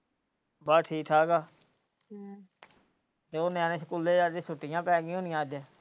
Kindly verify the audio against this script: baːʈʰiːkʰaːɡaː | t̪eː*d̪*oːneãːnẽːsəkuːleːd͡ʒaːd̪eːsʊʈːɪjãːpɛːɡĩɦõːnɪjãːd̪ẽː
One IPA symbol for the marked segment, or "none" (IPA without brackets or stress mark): none